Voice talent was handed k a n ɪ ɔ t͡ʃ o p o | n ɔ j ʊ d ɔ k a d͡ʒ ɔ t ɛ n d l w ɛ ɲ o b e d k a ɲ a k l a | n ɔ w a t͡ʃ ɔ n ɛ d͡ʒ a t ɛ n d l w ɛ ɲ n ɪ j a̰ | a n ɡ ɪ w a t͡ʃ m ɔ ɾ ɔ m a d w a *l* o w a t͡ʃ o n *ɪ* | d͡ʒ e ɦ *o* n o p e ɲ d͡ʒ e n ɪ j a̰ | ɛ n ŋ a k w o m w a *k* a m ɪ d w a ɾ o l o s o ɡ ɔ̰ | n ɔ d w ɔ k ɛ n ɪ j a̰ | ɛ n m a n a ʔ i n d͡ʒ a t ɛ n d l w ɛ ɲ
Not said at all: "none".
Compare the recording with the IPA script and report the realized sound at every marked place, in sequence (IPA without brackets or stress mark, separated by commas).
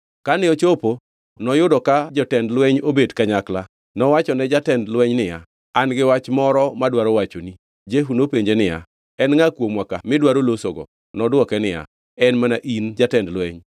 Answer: ɾ, i, u, k